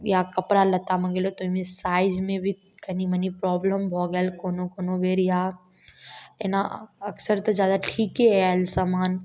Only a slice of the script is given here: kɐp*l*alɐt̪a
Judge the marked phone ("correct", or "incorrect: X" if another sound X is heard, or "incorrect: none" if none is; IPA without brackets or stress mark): incorrect: ɾ